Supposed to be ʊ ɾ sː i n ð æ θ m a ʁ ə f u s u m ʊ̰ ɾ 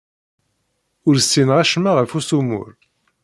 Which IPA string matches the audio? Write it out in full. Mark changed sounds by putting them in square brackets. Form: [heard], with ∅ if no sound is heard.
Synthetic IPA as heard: ʊ ɾ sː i n [ʁ] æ [ʃ] m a ʁ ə f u s u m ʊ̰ ɾ